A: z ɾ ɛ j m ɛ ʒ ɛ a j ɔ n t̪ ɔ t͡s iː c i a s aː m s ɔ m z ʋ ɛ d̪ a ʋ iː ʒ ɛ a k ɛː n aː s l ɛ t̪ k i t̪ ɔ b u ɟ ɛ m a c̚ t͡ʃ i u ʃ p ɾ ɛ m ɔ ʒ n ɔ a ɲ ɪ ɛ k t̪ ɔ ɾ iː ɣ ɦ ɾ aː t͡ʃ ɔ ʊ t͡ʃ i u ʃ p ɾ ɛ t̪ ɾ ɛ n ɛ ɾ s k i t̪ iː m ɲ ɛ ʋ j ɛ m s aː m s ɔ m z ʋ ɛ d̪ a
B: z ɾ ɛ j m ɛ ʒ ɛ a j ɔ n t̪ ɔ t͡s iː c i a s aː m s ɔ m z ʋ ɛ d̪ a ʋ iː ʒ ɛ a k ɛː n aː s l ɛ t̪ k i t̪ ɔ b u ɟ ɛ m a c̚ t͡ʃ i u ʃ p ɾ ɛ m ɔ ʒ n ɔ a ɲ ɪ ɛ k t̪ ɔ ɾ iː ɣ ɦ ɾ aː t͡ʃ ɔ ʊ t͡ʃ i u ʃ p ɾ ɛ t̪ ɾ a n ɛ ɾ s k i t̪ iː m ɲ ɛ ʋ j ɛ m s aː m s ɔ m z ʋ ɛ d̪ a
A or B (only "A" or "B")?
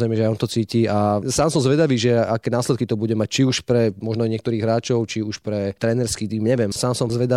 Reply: A